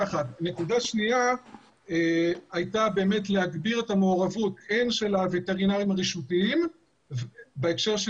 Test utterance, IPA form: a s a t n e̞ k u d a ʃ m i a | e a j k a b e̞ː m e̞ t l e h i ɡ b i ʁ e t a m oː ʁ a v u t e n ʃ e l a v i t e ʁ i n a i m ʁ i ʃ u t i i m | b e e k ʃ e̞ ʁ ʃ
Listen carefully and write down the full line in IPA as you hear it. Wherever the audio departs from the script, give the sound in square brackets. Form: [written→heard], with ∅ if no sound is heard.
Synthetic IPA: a [s→χ] a t n e̞ k u d a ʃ [m→n] i a | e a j [k→t] a b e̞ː m e̞ t l e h [i→a] ɡ b i ʁ e t a m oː ʁ a v u t e n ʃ e l a v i t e ʁ i n a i m ʁ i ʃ u t i i m | b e e k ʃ e̞ ʁ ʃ